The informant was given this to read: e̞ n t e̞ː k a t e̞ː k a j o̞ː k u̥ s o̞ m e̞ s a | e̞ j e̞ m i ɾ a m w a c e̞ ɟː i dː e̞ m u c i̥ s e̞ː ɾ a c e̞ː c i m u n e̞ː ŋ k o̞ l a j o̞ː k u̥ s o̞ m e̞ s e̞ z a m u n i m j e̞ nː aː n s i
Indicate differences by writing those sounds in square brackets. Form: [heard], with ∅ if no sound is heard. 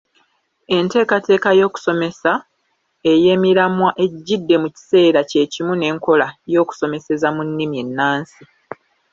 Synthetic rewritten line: e̞ n t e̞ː k a t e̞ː k a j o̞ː k u̥ s o̞ m e̞ s a | e̞ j e̞ m i ɾ a m w a [ʔ] e̞ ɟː i dː e̞ m u c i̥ s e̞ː ɾ a c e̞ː c i m u n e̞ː ŋ k o̞ l a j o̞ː k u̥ s o̞ m e̞ s e̞ z a m u [nː] i m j e̞ nː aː n s i